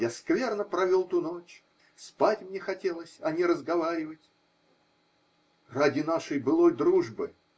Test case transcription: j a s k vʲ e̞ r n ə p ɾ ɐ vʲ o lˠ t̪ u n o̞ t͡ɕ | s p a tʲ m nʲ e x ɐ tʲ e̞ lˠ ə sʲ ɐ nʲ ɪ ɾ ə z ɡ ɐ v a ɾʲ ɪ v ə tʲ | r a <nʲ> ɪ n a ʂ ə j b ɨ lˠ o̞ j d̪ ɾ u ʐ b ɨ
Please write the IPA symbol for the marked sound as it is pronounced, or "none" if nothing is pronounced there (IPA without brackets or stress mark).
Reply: dʲ